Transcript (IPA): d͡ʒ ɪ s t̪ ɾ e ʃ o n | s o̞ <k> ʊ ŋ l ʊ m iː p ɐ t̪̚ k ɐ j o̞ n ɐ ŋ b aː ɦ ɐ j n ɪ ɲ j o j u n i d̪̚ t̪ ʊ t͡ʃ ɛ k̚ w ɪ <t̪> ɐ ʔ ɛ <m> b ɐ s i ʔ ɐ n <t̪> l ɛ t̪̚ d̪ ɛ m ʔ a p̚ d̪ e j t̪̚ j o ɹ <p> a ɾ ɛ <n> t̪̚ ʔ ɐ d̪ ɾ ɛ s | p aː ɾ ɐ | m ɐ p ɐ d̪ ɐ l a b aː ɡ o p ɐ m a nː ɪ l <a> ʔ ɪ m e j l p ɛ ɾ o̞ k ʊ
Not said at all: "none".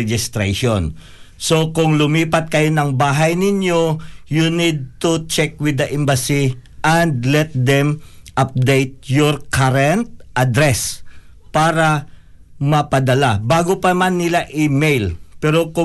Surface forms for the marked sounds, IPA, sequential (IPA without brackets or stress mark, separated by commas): k, d̪, m, d̪, k, n, a